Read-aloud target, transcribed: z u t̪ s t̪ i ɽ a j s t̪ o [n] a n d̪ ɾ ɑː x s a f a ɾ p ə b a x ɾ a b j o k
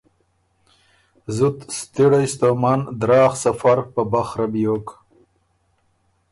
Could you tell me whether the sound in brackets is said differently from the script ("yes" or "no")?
yes